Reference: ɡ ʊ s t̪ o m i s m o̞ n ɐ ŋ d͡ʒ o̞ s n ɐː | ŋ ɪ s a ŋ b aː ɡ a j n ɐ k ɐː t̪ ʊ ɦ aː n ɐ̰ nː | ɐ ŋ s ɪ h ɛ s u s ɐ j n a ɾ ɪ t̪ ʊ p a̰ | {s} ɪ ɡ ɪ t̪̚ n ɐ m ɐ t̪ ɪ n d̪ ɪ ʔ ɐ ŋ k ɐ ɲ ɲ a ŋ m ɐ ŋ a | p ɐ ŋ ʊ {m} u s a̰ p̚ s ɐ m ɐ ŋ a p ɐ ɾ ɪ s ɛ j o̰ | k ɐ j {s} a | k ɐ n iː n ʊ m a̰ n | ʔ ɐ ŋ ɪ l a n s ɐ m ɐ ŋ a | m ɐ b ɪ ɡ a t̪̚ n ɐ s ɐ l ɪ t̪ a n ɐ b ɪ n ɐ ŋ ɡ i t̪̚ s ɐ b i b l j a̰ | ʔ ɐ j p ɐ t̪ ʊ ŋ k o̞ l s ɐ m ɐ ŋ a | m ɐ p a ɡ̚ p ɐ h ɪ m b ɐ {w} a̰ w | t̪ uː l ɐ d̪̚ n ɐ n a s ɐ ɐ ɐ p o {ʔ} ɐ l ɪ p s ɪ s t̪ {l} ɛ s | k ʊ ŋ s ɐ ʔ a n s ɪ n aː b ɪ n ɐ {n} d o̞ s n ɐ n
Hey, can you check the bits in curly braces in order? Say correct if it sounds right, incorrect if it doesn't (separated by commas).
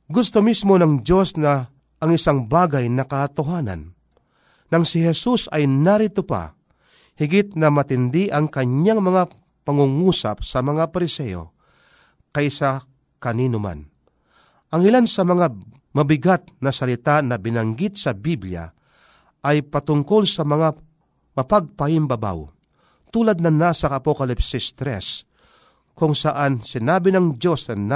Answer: incorrect, incorrect, correct, incorrect, incorrect, incorrect, incorrect